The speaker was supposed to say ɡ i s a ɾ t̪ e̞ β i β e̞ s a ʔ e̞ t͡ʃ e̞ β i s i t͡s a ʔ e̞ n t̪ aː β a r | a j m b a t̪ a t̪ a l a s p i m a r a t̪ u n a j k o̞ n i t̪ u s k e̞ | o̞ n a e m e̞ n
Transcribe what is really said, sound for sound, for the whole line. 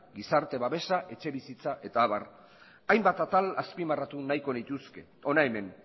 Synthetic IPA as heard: ɡ i s a ɾ t̪ e̞ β a β e̞ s a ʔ e̞ t͡ʃ e̞ β i s i t͡s a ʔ e̞ t̪ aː β a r | a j m b a t̪ a t̪ a l a s p i m a r a t̪ u n a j k o̞ n i t̪ u s k e̞ | o̞ n a e m e̞ n